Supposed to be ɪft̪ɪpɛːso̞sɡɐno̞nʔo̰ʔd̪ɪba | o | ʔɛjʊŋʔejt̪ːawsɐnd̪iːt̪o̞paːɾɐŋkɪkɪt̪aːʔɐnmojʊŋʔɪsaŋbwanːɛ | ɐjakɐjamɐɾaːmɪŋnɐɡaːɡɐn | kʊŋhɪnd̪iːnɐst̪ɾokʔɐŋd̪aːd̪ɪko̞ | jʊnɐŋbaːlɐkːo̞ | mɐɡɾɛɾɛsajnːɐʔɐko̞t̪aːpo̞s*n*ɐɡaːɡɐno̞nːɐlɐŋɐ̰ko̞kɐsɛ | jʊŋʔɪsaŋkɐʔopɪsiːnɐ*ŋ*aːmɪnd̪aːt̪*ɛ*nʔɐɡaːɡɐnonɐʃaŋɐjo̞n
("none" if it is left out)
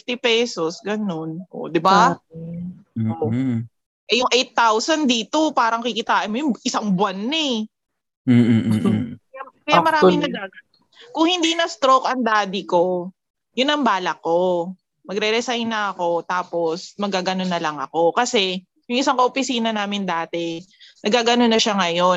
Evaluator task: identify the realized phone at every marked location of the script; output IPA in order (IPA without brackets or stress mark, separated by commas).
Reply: m, n, ɛ